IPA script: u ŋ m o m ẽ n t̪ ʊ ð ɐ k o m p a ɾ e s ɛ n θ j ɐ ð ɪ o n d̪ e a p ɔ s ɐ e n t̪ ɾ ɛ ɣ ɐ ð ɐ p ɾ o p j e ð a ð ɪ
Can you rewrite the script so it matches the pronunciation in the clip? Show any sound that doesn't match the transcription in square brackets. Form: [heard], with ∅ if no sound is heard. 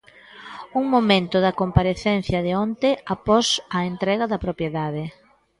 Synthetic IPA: u ŋ m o m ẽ n t̪ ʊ ð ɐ k o m p a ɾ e [θ] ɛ n θ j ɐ ð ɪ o n [t̪] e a p ɔ s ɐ e n t̪ ɾ ɛ ɣ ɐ ð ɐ p ɾ o p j e ð a ð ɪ

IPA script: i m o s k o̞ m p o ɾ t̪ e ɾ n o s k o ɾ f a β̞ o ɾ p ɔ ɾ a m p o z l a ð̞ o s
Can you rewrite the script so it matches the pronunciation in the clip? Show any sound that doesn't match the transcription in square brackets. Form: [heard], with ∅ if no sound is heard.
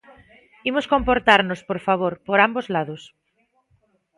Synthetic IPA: i m o s k o̞ m p o ɾ t̪ [a] ɾ n o s [p] o ɾ f a β̞ o ɾ p [o] ɾ a m [b] o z l a ð̞ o s

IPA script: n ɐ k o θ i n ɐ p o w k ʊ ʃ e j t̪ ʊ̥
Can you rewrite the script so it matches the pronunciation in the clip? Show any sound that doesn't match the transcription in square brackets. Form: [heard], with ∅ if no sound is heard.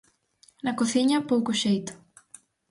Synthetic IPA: n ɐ k o θ i [ɲ] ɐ p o w k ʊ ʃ e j t̪ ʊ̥

